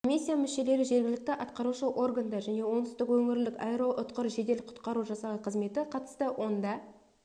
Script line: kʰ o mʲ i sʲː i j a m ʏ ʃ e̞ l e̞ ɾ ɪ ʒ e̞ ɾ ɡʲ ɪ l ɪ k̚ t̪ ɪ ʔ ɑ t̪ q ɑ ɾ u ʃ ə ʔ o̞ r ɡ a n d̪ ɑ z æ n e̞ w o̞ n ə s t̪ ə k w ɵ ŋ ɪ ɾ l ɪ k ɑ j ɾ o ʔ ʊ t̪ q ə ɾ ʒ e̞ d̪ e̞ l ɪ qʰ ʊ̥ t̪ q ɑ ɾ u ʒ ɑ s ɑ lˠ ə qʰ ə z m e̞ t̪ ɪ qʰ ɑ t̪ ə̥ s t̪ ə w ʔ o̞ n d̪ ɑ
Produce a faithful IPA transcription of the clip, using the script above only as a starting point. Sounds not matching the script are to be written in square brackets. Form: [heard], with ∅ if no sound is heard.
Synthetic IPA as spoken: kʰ o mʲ i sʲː i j a m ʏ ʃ e̞ l e̞ ɾ ɪ ʒ e̞ ɾ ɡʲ ɪ l ɪ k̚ t̪ ɪ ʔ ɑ t̪ q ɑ ɾ u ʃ ə ʔ o̞ r ɡ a n d̪ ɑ [ʒ] æ n e̞ w o̞ n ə s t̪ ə k w ɵ ŋ ɪ ɾ l ɪ k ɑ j ɾ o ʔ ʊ t̪ q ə ɾ ʒ e̞ d̪ e̞ l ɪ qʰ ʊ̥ t̪ q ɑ ɾ u ʒ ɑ s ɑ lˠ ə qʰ ə z m e̞ t̪ ɪ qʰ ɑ t̪ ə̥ s t̪ ə w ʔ o̞ n d̪ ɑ